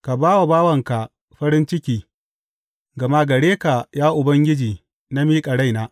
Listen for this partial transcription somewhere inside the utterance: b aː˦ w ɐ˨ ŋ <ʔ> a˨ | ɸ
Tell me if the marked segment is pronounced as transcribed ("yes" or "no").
no